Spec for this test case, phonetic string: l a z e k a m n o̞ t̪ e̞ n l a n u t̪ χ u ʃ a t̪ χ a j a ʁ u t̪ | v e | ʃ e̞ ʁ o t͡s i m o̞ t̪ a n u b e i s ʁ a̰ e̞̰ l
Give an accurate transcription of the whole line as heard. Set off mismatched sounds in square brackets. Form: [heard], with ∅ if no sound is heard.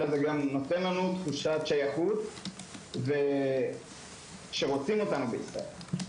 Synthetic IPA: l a z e [ɡ] a m n o̞ t̪ e̞ n l a n u t̪ χ u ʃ a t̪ [ʃ] a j a [χ] u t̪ | v e | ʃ e̞ ʁ o t͡s i m o̞ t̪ a n u b e i s ʁ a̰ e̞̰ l